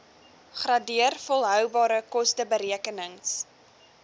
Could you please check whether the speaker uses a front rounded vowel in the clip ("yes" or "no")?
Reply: yes